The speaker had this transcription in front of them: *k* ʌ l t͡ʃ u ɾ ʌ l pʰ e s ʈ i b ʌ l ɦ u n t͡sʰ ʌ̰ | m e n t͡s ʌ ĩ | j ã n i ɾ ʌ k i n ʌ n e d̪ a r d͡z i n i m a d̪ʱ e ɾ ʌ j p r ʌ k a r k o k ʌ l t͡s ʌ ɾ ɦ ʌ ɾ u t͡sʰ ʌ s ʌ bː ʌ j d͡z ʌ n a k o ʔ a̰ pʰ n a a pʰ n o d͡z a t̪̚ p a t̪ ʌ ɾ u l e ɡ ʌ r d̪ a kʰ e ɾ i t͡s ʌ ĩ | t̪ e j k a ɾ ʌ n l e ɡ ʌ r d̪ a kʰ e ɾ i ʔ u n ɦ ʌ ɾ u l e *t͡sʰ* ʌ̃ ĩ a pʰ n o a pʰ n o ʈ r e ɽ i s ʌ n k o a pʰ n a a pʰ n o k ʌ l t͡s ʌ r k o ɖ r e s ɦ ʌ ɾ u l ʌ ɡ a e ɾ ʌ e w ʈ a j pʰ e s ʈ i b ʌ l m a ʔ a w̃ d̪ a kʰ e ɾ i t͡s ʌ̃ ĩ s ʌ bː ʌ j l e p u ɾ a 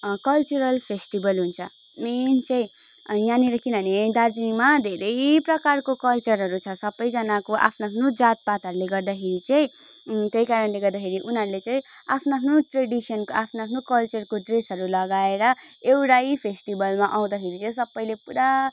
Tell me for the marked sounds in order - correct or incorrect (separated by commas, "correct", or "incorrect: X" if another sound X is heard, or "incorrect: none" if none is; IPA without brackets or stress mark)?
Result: correct, incorrect: t͡s